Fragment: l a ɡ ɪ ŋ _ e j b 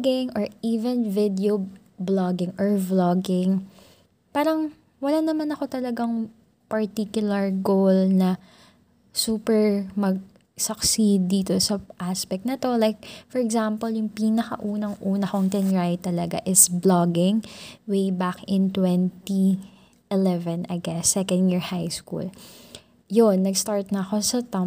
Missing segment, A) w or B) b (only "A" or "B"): A